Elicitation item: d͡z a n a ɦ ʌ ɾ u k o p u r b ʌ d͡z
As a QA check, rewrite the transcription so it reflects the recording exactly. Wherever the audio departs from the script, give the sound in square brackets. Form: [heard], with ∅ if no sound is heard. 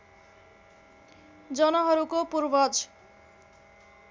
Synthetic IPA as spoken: d͡z [ʌ] n [ʌ] ɦ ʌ ɾ u k o p u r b ʌ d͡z